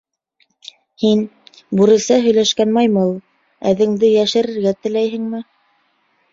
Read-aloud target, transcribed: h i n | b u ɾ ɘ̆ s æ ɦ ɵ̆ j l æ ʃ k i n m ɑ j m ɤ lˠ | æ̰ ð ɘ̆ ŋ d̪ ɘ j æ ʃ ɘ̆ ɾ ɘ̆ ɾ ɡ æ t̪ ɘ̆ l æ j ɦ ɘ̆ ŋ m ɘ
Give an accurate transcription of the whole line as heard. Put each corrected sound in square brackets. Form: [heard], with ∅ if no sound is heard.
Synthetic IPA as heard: h i n | b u ɾ ɘ̆ s æ ɦ ɵ̆ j l æ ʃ k [æ] n m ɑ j m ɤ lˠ | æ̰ ð ɘ̆ ŋ d̪ ɘ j æ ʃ ɘ̆ ɾ ɘ̆ ɾ ɡ æ t̪ ɘ̆ l æ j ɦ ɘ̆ ŋ m ɘ

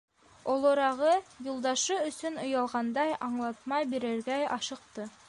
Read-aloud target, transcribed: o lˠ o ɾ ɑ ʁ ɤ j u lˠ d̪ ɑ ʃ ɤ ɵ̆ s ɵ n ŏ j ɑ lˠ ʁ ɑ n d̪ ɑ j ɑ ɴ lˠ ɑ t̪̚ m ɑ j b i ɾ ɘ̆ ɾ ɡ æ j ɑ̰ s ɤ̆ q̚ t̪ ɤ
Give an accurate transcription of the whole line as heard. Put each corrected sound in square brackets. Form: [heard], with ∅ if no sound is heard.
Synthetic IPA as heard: o lˠ o ɾ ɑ ʁ ɤ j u lˠ d̪ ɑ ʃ ɤ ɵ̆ s ɵ n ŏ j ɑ lˠ ʁ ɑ n d̪ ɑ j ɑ ɴ lˠ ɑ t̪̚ m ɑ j b i ɾ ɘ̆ ɾ ɡ æ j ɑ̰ [ʃ] ɤ̆ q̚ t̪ ɤ

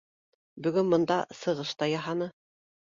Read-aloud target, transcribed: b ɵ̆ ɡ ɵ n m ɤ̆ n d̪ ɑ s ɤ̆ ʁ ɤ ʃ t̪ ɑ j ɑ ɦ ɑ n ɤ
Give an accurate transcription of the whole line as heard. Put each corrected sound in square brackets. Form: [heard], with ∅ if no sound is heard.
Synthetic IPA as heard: b ɵ̆ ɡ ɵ n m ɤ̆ n d̪ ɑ s ɤ̆ ʁ ɤ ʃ t̪ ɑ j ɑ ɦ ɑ n ɤ

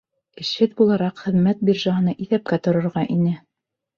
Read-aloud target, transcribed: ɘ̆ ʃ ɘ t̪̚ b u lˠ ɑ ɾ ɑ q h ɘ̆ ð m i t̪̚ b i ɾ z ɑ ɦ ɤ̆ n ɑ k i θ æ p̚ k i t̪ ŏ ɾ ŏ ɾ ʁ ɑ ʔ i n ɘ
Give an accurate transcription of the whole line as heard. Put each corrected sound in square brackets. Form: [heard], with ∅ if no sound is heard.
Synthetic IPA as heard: ɘ̆ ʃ ɘ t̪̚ b u lˠ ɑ ɾ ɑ q [χ] ɘ̆ ð m [æ] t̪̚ b i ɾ [ʒ] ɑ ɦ ɤ̆ n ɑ [ʔ] i θ æ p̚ k [æ] t̪ ŏ ɾ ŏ ɾ ʁ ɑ ʔ i n ɘ

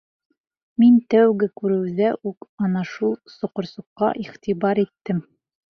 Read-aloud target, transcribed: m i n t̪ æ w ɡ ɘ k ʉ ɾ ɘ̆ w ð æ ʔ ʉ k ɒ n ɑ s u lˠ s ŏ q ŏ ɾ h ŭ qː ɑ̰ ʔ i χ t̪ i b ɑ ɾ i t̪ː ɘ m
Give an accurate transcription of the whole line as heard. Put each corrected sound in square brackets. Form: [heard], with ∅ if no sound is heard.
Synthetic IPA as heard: m i n t̪ æ w ɡ ɘ k ʉ ɾ ɘ̆ w ð æ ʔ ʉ k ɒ n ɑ [ʃ] u lˠ s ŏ q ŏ ɾ [s] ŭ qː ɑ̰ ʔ i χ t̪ i b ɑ ɾ i t̪ː ɘ m

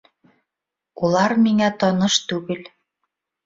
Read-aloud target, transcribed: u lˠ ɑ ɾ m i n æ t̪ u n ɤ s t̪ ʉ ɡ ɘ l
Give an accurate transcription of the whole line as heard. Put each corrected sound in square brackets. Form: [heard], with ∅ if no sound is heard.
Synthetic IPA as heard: u lˠ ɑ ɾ m i [ŋ] æ t̪ [ɒ] n ɤ [ʃ] t̪ ʉ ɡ ɘ l

